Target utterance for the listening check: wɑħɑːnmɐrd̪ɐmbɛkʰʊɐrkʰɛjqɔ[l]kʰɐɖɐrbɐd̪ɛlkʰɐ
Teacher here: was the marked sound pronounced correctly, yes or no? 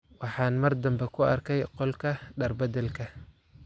yes